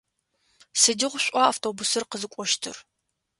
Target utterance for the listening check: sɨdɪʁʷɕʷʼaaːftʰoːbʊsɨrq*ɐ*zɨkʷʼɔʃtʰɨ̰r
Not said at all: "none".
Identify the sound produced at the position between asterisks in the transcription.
ə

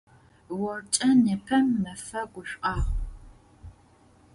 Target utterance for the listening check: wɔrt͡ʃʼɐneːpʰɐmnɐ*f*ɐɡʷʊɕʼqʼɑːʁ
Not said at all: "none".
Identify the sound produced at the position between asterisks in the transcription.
f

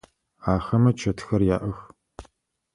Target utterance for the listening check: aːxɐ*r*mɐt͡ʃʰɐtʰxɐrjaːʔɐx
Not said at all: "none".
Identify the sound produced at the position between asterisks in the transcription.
none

